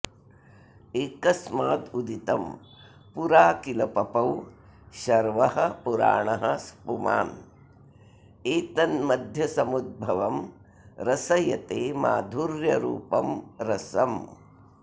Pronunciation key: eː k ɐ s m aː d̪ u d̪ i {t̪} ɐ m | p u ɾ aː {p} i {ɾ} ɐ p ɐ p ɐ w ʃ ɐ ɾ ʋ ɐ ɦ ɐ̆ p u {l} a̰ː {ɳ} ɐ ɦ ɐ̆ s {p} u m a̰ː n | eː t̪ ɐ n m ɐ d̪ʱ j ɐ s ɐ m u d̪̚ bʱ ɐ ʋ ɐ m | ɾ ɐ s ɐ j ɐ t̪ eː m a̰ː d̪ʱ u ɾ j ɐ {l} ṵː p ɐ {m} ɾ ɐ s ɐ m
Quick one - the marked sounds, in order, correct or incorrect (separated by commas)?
correct, incorrect, incorrect, incorrect, correct, correct, incorrect, correct